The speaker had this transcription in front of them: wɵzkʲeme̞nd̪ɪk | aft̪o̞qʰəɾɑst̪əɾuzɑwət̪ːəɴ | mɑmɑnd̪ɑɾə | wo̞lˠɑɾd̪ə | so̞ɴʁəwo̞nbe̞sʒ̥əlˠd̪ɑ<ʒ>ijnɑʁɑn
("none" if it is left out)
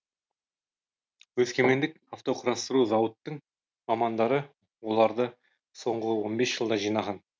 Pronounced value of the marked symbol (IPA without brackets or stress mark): ʒ